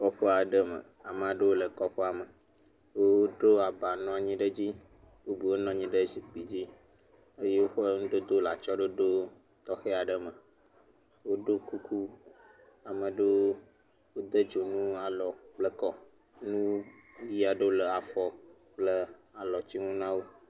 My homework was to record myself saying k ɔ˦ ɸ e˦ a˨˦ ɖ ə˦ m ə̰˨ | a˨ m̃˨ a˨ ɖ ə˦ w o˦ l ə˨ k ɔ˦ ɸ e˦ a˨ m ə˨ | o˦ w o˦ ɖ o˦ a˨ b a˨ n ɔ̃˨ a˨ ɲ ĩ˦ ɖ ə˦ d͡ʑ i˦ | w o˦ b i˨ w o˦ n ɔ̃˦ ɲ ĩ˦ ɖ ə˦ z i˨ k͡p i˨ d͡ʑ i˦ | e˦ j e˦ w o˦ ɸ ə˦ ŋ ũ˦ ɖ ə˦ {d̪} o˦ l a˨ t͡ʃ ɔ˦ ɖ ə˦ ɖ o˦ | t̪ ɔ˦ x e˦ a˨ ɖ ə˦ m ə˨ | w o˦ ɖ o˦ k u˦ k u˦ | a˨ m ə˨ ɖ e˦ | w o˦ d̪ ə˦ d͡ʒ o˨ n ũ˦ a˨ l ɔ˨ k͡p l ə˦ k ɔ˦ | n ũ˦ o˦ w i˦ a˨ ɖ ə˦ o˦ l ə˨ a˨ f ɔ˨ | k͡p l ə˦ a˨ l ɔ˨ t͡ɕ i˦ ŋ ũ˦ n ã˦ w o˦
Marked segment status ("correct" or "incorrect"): correct